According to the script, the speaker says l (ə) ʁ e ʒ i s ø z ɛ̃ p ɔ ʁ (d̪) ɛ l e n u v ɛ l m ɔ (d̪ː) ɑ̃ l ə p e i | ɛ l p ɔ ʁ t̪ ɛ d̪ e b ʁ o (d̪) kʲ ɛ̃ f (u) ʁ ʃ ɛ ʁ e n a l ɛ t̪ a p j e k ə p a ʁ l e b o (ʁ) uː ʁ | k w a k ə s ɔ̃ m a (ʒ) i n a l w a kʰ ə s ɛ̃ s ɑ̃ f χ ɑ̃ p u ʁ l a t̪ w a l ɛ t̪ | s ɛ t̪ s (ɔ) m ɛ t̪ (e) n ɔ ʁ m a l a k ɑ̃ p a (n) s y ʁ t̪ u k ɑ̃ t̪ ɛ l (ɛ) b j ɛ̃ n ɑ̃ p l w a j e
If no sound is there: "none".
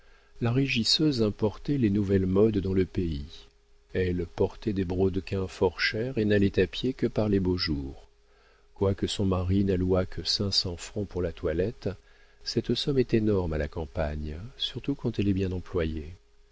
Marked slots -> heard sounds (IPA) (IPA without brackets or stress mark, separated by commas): a, t̪, d̪ː, d̪, ɔ, ʒ, ʁ, ɔ, e, ɲ, ɛ